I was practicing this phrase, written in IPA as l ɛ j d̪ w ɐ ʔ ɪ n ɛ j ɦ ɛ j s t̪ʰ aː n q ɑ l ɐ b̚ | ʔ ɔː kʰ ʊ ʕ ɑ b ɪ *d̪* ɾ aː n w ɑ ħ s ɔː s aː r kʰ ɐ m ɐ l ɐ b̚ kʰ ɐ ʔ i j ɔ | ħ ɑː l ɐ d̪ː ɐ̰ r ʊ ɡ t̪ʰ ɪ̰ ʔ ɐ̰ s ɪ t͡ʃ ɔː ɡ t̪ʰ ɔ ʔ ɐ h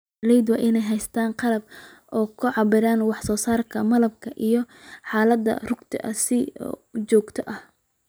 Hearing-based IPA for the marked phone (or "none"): none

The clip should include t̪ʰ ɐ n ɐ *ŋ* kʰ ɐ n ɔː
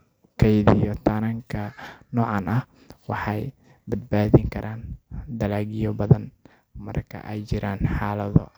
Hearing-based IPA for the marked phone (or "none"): ŋ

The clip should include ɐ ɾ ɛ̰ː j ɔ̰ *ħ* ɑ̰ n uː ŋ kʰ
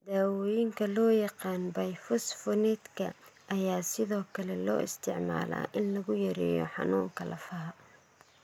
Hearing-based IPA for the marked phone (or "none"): ħ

